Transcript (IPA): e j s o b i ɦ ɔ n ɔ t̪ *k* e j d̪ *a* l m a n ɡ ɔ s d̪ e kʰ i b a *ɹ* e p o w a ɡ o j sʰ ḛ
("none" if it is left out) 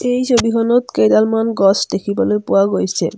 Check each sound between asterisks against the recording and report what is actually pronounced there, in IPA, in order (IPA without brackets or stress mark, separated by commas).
k, a, l